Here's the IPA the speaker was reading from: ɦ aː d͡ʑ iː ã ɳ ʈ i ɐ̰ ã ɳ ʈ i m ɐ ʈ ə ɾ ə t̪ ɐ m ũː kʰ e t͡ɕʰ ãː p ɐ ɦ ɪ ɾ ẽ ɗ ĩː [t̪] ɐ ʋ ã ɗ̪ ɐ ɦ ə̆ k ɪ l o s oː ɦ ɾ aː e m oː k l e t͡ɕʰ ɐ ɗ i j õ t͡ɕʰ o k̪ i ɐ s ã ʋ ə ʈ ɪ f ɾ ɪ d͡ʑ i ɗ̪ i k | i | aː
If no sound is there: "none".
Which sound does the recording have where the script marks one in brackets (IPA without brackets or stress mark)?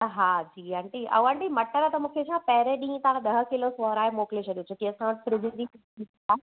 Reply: t̪